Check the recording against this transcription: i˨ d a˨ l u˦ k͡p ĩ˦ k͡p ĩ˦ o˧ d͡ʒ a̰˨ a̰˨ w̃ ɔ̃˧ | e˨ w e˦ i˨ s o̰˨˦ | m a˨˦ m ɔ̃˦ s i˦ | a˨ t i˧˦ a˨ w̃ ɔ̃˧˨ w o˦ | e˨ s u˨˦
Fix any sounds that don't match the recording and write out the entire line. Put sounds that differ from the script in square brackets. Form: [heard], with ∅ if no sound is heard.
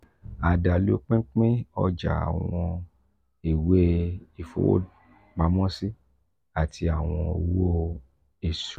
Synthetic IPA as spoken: [a˨] d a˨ l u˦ k͡p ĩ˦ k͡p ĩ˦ [ɔ˧] d͡ʒ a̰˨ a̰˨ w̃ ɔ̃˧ | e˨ w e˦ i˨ [f] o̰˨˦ | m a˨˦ m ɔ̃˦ s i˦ | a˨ t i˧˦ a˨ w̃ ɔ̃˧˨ w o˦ | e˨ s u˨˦